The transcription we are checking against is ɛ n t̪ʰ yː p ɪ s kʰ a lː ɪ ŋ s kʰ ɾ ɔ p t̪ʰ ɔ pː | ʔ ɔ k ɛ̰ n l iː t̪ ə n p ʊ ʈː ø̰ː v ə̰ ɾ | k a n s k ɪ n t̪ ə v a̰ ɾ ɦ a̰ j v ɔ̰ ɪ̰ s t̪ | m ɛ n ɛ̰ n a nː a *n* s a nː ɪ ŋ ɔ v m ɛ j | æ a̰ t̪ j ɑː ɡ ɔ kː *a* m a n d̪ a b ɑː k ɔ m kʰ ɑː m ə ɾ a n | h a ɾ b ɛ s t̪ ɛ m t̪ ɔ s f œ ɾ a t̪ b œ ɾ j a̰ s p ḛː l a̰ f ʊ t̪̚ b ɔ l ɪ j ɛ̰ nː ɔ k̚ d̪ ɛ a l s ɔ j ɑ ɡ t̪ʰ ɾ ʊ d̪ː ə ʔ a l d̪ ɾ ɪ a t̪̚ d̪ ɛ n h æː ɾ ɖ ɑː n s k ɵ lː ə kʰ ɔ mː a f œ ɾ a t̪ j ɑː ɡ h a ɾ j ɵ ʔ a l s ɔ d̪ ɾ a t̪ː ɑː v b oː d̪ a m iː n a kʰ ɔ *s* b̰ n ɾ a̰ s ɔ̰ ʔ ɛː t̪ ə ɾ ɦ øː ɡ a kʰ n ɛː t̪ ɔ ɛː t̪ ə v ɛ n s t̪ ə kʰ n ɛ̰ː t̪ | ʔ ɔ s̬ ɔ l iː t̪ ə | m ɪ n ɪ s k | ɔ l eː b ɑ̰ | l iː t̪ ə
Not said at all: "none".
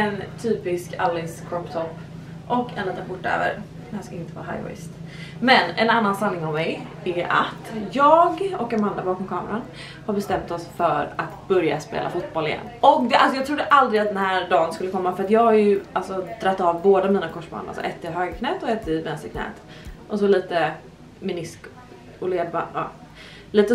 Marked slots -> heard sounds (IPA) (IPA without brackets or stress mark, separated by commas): n, a, ʂ